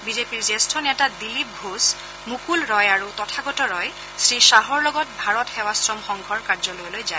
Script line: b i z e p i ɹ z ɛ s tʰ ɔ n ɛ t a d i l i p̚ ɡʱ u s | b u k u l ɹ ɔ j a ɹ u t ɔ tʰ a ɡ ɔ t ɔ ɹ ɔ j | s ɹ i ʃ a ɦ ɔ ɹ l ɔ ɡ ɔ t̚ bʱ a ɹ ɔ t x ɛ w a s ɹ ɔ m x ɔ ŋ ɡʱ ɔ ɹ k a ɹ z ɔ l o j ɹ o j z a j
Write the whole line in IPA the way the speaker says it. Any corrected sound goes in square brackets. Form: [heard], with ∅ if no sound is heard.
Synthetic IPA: b i z e p i ɹ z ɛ s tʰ ɔ n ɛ t a d i l i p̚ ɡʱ u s | [m] u k u l ɹ ɔ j a ɹ u t ɔ tʰ a ɡ ɔ t ɔ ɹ ɔ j | s ɹ i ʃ a ɦ ɔ ɹ l ɔ ɡ ɔ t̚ bʱ a ɹ ɔ t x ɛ w a s ɹ ɔ m x ɔ ŋ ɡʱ ɔ ɹ k a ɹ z ɔ l o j [l] o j z a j